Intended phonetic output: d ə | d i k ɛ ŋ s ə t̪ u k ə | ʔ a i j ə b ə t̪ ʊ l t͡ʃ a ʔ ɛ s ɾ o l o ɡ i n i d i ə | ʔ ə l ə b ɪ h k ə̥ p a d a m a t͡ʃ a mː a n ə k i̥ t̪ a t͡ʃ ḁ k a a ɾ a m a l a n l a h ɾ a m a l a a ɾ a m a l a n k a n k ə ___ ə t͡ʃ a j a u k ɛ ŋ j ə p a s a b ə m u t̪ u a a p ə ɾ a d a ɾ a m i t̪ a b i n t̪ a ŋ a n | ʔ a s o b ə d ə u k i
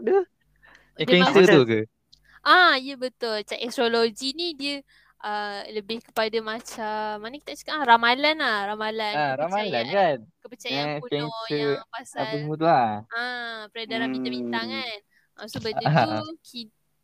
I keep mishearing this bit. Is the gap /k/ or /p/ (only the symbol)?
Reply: p